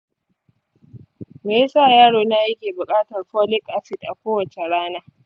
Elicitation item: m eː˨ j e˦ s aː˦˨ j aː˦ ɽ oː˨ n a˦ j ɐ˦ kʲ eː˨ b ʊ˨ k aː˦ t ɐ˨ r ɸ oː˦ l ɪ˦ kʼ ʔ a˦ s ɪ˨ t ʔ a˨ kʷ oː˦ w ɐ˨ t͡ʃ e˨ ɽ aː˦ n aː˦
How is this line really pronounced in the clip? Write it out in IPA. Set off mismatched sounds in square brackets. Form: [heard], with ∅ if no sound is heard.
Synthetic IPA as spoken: m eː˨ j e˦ s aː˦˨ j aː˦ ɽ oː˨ n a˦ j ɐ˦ kʲ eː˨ b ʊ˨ [kʼ] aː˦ t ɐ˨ r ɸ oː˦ l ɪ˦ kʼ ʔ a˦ s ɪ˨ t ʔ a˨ kʷ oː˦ w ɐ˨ t͡ʃ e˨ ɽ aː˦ n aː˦

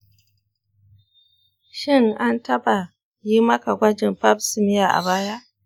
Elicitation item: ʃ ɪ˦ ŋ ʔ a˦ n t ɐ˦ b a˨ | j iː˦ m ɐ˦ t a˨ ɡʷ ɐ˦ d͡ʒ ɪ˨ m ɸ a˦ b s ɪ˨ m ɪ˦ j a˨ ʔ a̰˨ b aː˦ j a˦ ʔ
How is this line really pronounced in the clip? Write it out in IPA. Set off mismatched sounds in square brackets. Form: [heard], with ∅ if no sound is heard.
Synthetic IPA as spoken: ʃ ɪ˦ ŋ ʔ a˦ n t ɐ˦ b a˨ | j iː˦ m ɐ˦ [k] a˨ ɡʷ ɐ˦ d͡ʒ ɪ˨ m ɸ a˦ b s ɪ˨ m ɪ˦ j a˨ ʔ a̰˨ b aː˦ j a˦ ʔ

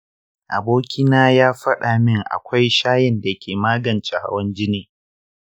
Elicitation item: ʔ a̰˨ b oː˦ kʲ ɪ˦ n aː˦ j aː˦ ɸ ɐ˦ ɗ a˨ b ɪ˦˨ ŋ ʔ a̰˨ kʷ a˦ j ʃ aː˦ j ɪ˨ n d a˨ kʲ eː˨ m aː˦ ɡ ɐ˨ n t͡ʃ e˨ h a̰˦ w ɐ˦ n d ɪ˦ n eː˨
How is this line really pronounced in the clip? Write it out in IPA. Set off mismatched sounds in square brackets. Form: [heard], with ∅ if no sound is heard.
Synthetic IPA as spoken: ʔ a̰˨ b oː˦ kʲ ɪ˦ n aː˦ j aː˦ ɸ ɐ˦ ɗ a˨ [m] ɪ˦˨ ŋ ʔ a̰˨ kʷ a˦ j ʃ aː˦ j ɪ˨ n d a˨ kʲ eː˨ m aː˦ ɡ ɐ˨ n t͡ʃ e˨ h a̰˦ w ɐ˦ n [d͡ʒ] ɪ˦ n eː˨

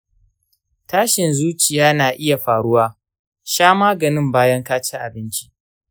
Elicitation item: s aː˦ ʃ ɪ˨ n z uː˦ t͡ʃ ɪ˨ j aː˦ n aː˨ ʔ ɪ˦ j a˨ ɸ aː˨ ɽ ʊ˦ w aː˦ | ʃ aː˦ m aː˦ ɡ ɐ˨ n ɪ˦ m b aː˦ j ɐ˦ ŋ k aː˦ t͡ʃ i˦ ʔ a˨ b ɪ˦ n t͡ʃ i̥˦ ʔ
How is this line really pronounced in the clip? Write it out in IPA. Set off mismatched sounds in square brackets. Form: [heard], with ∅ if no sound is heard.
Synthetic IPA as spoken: [t] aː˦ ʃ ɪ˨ n z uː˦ t͡ʃ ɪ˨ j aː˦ n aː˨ ʔ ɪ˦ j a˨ ɸ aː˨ ɽ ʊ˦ w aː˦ | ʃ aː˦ m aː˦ ɡ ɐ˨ n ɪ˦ m b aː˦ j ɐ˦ ŋ k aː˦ t͡ʃ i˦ ʔ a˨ b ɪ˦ n t͡ʃ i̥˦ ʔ

